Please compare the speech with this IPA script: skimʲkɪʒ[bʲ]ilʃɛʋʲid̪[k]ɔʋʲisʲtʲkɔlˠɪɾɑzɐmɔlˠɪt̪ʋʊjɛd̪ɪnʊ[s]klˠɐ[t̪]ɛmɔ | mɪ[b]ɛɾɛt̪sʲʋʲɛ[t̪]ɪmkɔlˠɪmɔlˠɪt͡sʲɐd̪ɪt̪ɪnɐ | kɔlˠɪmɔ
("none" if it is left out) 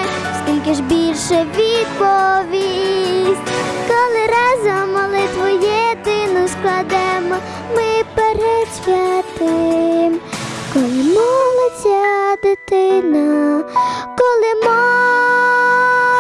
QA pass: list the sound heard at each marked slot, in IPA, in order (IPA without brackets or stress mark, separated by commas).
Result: bʲ, p, s, d̪, p, t̪